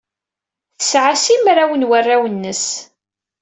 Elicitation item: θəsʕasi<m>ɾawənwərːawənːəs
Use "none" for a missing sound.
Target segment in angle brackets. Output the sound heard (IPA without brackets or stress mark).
m